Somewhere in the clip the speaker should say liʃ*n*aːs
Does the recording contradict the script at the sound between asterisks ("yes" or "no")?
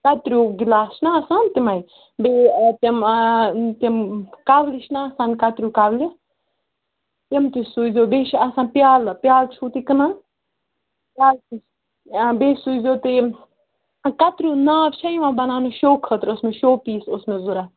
no